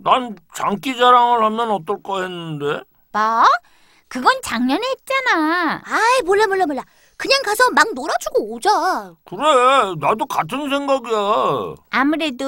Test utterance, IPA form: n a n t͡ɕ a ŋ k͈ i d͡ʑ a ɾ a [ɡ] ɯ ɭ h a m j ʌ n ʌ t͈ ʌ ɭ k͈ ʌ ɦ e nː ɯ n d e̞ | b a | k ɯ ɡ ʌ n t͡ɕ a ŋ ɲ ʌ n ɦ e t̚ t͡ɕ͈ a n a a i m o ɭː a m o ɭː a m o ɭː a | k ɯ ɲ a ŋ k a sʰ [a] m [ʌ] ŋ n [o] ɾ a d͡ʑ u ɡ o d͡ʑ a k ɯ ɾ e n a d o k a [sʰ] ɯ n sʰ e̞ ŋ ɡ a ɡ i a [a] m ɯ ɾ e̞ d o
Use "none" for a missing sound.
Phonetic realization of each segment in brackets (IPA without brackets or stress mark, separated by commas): ŋ, ʌ, a, o, tʰ, a